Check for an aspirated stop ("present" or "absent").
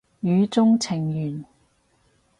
present